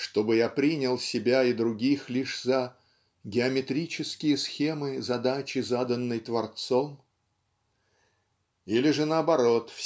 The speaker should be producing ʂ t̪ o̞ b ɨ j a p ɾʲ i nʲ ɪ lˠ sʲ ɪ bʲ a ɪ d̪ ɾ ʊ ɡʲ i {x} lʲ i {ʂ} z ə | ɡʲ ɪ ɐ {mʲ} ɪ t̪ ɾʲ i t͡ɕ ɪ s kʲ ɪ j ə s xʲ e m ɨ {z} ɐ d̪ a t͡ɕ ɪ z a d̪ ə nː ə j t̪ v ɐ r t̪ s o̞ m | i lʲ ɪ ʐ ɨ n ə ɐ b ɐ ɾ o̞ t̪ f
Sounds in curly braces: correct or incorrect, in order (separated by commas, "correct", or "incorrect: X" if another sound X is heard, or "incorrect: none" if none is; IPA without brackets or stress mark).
correct, correct, correct, correct